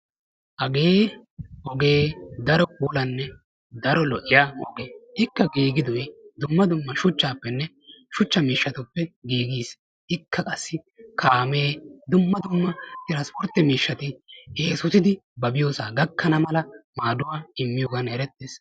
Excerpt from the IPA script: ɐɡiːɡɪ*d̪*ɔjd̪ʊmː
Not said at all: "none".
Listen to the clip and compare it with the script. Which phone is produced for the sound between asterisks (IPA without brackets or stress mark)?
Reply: d̪